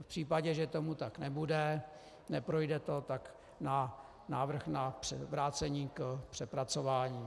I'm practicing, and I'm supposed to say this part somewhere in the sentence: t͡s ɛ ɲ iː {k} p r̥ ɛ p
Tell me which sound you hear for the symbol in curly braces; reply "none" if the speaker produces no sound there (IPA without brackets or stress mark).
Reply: k